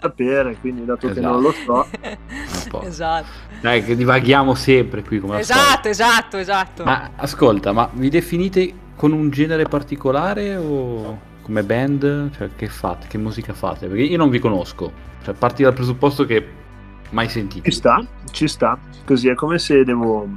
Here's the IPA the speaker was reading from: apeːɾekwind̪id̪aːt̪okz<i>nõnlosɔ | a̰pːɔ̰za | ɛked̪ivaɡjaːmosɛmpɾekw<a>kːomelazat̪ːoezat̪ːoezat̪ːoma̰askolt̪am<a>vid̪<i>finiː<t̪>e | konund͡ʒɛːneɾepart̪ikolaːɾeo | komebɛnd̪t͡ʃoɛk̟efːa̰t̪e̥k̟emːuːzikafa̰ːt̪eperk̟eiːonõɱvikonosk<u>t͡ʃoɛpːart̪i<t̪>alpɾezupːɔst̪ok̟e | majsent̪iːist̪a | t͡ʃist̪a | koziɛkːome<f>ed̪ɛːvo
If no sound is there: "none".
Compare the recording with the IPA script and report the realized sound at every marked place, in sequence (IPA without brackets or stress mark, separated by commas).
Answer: e, i, a, e, t̪, o, d̪, s